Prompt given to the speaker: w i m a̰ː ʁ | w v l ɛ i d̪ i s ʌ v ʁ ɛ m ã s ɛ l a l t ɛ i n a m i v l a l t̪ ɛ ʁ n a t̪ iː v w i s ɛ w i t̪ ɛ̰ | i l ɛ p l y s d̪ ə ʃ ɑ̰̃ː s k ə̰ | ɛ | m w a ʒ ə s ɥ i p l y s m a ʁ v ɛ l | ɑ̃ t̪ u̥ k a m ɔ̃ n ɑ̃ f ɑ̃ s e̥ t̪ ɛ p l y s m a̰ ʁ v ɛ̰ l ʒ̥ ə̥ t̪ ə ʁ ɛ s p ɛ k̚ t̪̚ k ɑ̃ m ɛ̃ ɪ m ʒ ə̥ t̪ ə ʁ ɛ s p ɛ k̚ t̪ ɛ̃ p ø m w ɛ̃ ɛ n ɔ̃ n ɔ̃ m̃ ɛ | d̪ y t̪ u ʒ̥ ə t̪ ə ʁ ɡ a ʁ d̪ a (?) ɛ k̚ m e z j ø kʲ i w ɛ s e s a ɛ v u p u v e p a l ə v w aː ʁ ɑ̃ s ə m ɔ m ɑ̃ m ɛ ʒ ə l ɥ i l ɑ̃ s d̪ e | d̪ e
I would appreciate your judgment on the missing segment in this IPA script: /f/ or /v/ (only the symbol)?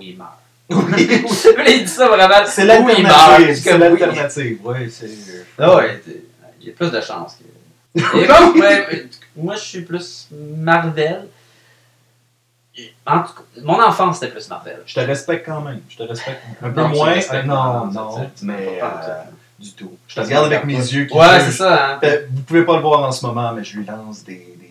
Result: v